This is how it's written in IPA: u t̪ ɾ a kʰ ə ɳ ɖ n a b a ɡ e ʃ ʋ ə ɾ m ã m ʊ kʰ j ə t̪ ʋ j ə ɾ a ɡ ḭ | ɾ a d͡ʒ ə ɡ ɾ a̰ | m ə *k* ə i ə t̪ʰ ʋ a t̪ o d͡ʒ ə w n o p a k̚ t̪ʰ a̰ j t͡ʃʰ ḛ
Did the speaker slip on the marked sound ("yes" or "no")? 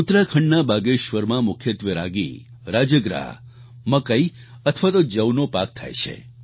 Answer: no